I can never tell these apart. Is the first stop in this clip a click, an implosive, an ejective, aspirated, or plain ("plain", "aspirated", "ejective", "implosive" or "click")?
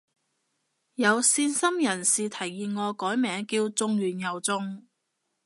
aspirated